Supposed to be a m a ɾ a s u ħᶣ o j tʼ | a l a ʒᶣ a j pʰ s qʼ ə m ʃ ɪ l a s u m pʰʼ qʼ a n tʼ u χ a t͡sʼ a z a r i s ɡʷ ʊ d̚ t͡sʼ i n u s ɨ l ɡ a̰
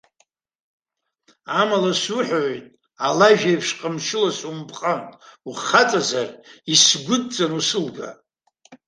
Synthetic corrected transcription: a m a l a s u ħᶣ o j tʼ | a l a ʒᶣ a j pʰ ʂ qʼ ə m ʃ ɪ l a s u m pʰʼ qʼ a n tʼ u χ a t͡sʼ a z a r i s ɡʷ ʊ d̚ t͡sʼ a n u s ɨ l ɡ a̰